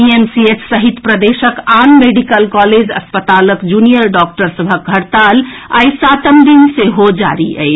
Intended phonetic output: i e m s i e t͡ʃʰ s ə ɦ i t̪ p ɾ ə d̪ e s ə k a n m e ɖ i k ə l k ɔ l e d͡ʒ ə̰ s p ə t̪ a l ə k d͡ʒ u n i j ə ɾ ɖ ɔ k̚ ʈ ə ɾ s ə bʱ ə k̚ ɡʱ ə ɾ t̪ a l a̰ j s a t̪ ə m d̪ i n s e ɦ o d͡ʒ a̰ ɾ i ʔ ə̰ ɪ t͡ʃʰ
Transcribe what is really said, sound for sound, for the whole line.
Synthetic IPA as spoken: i e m s i e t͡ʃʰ s ə ɦ i t̪ p ɾ ə d̪ e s ə k a n m e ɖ i k ə l k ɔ l e d͡ʒ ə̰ s p ə t̪ a l ə k d͡ʒ u n i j ə ɾ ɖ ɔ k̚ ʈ ə ɾ s ə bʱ ə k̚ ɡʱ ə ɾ t̪ a l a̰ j s a t̪ ə m d̪ i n s e ɦ o d͡ʒ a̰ ɾ i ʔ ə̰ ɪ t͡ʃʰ